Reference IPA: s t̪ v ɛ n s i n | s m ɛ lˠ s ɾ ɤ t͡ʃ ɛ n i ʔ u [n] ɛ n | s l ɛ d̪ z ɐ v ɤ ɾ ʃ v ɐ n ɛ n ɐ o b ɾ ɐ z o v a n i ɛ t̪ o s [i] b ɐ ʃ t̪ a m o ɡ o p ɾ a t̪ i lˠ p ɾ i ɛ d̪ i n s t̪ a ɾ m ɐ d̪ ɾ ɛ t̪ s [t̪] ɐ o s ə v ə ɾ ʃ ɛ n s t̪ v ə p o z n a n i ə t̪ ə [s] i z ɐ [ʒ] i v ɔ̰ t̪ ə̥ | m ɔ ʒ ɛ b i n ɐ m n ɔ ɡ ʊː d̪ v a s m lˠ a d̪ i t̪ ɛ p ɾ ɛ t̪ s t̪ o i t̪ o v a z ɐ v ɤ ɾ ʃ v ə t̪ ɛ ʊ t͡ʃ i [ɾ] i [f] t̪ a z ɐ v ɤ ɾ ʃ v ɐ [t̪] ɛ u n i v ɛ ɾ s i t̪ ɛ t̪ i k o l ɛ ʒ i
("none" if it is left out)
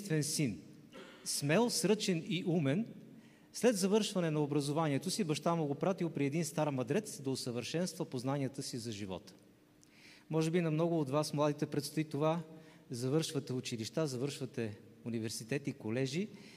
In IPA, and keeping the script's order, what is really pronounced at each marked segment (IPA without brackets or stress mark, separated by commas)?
m, i, d̪, s, ʒ, l, ʃ, t̪